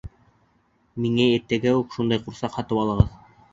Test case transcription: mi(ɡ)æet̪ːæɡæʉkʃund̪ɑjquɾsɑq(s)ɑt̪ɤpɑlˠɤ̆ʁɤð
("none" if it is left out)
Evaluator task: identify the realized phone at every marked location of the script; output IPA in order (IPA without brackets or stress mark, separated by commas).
ŋ, h